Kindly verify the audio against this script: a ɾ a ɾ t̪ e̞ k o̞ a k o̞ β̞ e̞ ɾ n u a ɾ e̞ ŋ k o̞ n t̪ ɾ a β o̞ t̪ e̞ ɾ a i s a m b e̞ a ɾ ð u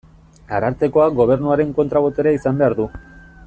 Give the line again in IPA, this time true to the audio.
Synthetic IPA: a ɾ a ɾ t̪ e̞ k o̞ a ɡ o̞ β̞ e̞ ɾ n u a ɾ e̞ ŋ k o̞ n t̪ ɾ a β o̞ t̪ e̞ ɾ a i s a m b e̞ a ɾ ð u